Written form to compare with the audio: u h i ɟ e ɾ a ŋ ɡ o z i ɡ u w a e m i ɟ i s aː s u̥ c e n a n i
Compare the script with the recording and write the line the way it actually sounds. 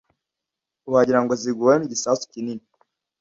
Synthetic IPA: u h a ɟ i ɾ a ŋ ɡ o z i ɡ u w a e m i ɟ i s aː s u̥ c i n i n i